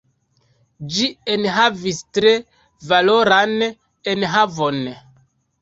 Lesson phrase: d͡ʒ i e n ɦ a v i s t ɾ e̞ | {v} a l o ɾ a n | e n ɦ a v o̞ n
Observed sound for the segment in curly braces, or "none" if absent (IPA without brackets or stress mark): v